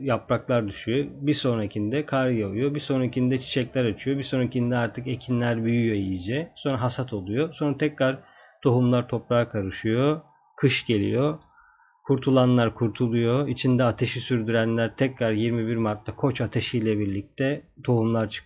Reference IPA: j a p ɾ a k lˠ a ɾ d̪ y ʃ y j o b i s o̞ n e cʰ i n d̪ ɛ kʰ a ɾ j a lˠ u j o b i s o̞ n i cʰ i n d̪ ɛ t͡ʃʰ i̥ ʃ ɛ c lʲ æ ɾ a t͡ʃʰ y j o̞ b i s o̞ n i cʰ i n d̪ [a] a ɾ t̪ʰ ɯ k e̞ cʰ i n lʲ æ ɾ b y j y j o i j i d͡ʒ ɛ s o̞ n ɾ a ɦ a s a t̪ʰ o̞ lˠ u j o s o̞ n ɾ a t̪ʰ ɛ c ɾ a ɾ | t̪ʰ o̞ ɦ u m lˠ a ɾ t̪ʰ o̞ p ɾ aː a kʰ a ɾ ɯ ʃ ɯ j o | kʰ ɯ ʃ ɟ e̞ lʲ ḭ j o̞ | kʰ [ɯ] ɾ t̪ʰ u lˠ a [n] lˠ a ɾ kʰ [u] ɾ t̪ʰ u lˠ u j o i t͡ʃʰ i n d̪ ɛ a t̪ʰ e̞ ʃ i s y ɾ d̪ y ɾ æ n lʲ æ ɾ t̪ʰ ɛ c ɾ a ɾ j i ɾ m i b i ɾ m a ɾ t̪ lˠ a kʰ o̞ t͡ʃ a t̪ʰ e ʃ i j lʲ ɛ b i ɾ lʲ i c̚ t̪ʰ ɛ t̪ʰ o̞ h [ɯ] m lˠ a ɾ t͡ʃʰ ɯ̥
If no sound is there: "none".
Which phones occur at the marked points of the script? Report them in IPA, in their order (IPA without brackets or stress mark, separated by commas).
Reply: ɛ, u, n, u, u